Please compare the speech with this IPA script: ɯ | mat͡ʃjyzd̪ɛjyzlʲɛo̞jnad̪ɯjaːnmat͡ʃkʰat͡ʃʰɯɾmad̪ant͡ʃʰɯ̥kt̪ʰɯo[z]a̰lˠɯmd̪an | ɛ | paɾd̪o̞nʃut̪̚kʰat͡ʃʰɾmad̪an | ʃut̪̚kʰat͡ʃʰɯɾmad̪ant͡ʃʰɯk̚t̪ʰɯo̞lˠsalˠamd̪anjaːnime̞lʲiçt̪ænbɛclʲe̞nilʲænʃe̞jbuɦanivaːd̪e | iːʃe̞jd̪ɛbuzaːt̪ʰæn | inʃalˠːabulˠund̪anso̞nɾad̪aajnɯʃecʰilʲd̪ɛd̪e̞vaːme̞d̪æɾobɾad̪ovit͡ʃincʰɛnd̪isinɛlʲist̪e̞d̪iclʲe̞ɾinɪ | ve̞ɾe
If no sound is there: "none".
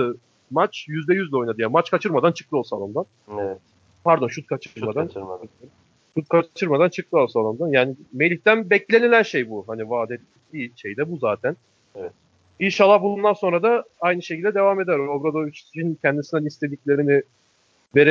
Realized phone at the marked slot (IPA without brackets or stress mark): s